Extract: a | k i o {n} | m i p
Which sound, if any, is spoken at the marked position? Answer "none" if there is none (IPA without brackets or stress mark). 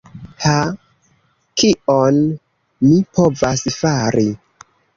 n